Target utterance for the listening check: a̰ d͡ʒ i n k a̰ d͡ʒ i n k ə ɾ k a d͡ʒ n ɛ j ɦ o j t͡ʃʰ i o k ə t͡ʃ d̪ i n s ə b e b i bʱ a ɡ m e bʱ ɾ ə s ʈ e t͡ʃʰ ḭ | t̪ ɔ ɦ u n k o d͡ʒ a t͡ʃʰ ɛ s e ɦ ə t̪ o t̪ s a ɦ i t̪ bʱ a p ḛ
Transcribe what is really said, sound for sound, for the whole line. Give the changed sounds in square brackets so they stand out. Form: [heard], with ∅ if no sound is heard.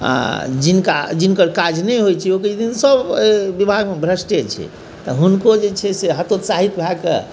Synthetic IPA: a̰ d͡ʒ i n k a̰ d͡ʒ i n k ə ɾ k a d͡ʒ n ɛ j ɦ o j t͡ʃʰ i o k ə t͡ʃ d̪ i n s ə b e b i bʱ a ɡ m e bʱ ɾ ə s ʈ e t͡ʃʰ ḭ | t̪ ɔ ɦ u n k o d͡ʒ [e] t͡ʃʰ ɛ s e ɦ ə t̪ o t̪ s a ɦ i t̪ bʱ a [k] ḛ